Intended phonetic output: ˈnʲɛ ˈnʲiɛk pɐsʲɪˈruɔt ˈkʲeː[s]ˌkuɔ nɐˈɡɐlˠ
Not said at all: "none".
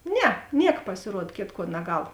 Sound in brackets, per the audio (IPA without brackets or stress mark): t